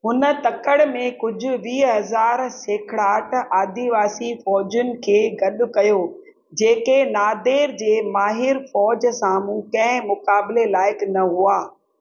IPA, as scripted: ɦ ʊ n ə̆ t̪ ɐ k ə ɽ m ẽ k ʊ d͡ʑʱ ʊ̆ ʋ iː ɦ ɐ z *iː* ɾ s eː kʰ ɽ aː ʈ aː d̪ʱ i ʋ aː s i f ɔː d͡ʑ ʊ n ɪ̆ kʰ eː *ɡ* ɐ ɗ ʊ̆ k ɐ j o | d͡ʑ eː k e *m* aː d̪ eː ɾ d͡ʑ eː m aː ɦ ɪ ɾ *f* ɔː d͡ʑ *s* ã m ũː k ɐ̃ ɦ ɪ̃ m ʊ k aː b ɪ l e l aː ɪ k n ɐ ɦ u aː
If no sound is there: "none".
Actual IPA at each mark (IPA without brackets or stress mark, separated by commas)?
aː, ɡ, n, f, s